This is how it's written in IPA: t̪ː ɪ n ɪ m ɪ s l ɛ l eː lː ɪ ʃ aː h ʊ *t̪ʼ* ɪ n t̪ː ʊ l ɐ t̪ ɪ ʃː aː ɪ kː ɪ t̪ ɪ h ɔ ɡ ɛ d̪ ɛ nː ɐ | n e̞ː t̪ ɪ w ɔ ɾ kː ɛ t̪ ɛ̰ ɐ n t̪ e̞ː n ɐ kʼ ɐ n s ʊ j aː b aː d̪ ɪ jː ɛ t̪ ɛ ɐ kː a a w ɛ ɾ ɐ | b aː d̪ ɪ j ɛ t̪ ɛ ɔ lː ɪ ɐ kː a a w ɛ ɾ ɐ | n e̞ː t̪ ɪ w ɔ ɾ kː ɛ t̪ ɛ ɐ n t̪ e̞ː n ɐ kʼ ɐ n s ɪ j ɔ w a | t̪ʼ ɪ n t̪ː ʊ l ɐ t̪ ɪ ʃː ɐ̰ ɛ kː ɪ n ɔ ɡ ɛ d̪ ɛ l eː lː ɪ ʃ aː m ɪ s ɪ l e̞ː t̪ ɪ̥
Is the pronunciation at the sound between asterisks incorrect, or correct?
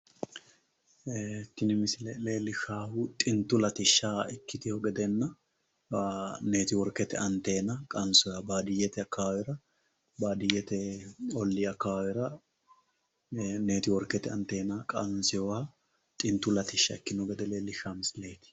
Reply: correct